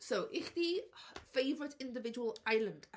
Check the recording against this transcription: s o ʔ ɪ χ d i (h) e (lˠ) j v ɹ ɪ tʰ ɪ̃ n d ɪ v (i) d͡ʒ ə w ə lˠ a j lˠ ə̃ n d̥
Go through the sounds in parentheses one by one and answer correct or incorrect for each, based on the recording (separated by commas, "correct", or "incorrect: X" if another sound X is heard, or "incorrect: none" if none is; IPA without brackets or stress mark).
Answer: incorrect: f, incorrect: none, incorrect: ɪ